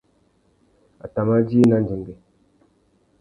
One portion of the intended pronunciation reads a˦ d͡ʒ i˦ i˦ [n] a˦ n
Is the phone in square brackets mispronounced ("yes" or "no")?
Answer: no